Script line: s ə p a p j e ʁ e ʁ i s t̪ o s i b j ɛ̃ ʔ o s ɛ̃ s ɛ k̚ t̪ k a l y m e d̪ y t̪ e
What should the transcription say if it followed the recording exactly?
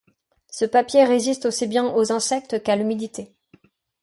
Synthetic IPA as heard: s ə p a p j e ʁ e z i s t̪ o s i b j ɛ̃ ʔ o z ɛ̃ s ɛ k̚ t̪ k a l y m i d̪ i t̪ e